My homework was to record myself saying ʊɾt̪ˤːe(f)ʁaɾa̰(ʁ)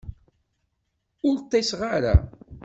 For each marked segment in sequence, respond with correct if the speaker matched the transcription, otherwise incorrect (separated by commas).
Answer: incorrect, incorrect